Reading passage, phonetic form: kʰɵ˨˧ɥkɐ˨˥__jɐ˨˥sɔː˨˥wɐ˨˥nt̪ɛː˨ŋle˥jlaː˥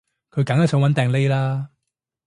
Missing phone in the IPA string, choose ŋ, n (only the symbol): ŋ